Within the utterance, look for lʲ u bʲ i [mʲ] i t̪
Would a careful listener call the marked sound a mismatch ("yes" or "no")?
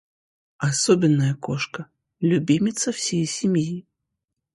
no